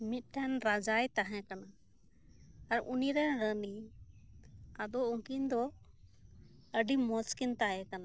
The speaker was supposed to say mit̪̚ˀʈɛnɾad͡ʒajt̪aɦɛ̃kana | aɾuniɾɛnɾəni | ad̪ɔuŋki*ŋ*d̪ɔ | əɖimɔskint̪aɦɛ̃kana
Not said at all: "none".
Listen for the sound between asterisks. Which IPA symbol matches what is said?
n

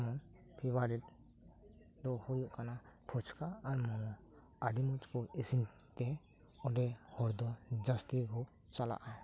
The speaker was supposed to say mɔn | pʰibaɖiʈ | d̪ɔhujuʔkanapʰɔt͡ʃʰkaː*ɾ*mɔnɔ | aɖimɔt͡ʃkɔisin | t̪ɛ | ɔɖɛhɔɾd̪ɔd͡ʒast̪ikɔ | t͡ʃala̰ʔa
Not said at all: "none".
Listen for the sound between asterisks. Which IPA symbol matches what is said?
ɾ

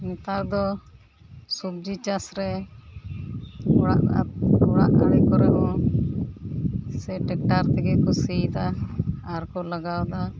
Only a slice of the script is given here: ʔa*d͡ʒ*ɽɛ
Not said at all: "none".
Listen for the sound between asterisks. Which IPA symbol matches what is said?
none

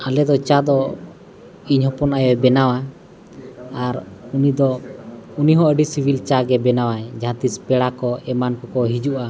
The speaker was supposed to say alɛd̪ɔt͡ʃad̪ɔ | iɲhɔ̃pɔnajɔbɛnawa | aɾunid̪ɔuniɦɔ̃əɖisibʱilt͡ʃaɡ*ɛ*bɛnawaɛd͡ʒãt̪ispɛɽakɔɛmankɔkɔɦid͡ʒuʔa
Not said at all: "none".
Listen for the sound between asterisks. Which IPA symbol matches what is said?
ɛ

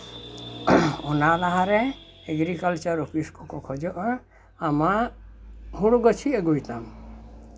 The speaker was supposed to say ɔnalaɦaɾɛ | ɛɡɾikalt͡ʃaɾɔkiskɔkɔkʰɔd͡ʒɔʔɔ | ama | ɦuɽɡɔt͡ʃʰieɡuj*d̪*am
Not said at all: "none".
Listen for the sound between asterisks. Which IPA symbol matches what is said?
t̪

